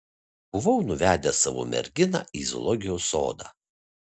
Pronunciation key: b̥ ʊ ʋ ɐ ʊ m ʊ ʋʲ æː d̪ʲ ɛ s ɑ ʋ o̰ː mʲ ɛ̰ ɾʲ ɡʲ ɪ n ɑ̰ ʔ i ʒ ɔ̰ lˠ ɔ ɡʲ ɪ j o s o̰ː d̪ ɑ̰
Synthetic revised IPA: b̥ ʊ ʋ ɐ ʊ n ʊ ʋʲ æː d̪ʲ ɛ s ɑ ʋ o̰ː mʲ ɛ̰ ɾʲ ɡʲ ɪ n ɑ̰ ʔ i z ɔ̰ lˠ ɔ ɡʲ ɪ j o s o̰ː d̪ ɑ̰